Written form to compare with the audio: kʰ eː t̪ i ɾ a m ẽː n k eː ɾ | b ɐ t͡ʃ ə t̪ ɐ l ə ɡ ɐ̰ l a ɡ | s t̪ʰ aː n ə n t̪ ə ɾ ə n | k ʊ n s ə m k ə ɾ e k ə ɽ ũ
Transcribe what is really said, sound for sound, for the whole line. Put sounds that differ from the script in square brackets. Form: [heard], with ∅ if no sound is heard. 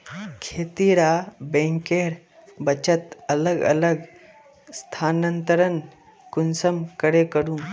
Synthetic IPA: kʰ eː t̪ i ɾ a [b] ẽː [ŋ] k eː ɾ | b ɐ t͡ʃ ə t̪ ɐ l ə ɡ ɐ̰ l [ə] ɡ | s t̪ʰ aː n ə n t̪ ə ɾ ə n | k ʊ n s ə m k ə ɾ e k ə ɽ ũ